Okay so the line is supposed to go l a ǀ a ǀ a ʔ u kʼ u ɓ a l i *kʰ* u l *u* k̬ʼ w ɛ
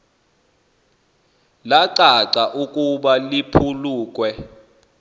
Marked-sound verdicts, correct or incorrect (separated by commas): incorrect, incorrect